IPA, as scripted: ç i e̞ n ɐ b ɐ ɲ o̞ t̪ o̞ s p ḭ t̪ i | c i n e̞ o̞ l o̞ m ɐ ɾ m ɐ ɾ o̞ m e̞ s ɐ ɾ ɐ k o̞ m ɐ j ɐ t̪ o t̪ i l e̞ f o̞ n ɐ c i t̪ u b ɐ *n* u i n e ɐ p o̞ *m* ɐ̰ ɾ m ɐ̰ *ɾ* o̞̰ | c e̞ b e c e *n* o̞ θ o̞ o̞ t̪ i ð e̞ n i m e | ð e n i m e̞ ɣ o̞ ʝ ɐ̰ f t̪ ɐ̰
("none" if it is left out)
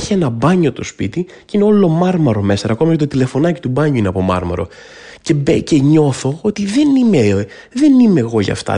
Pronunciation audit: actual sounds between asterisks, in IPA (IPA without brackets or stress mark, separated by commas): ɲ, m, ɾ, ɲ